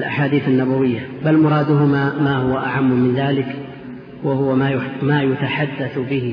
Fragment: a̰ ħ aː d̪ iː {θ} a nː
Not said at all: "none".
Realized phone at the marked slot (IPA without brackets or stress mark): θ